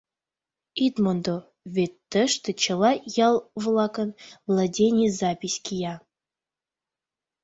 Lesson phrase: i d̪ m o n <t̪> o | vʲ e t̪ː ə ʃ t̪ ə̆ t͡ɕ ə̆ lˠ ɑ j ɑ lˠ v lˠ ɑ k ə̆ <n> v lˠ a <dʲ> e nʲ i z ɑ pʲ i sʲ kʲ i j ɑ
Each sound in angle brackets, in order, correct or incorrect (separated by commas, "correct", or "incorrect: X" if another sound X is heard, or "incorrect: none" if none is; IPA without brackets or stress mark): incorrect: d̪, correct, correct